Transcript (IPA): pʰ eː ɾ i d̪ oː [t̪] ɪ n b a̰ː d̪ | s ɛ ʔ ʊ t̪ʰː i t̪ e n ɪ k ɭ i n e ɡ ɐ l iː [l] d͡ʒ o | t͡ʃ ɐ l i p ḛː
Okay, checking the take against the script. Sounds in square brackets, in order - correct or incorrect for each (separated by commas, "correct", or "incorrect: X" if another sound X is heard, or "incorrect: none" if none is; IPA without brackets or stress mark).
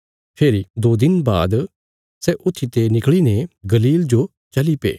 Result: incorrect: d̪, correct